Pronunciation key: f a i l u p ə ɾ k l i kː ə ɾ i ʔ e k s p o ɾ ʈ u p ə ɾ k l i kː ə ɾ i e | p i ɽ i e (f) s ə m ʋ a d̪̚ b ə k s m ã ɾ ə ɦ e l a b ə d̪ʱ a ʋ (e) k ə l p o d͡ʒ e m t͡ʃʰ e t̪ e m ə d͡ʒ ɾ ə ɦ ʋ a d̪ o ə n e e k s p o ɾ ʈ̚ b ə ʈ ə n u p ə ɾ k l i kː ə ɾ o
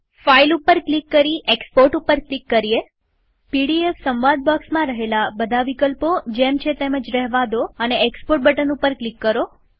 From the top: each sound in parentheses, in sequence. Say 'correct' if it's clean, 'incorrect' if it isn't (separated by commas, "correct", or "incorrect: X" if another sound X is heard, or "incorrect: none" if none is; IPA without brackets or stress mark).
correct, incorrect: i